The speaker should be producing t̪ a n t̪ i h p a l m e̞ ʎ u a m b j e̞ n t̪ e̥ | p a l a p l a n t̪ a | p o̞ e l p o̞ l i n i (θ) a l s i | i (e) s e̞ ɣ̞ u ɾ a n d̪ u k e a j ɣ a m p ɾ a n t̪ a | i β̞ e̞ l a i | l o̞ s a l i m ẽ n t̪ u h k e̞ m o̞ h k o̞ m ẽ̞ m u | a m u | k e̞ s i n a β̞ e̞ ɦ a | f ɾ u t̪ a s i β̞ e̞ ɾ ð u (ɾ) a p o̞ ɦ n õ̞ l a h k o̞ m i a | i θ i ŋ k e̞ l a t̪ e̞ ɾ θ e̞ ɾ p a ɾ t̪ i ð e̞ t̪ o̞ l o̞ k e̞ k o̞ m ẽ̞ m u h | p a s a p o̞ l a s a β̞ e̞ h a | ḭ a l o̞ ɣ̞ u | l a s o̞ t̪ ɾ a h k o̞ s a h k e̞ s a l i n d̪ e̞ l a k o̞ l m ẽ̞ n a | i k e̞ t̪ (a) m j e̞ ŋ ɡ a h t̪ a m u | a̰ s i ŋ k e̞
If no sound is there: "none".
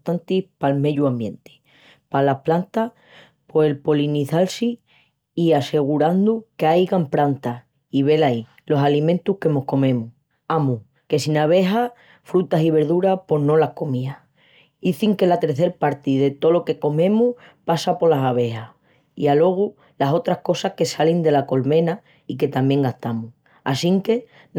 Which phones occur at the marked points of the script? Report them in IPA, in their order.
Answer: θ, a, ɾ, a

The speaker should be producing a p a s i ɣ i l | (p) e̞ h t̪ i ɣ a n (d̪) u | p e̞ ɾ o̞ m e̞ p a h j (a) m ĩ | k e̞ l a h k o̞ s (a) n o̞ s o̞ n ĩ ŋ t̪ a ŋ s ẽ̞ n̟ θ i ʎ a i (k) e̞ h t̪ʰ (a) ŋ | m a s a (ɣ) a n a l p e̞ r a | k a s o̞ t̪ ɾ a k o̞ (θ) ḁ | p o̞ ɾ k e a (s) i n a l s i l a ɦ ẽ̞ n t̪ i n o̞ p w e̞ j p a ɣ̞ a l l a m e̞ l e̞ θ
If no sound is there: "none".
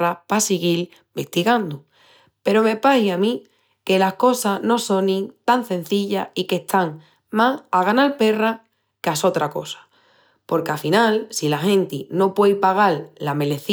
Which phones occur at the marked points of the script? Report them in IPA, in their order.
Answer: b, d̪, a, a, k, a, ɣ, s, f

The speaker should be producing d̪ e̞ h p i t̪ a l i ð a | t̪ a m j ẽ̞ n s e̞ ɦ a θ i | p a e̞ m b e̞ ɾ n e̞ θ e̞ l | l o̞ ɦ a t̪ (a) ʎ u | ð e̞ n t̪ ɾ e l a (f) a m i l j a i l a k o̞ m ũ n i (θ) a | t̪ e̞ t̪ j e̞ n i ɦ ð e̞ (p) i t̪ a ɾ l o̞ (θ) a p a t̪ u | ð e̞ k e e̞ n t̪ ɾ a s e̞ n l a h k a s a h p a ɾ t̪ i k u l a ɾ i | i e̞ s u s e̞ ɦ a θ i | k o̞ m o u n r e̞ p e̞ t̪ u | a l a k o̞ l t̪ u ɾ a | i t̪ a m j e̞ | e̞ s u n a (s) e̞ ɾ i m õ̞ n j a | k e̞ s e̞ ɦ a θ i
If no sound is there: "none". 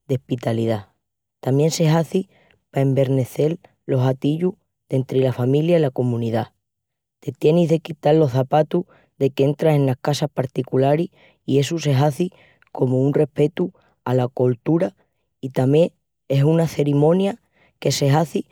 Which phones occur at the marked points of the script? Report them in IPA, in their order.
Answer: i, f, ð, k, θ, θ

